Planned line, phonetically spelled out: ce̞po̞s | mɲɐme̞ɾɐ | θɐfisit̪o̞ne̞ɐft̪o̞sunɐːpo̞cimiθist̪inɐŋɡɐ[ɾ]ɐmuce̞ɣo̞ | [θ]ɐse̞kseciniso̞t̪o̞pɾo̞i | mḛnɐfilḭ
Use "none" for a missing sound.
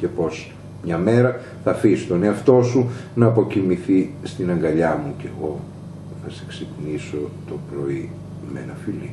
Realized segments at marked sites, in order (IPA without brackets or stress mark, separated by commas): ʎ, θ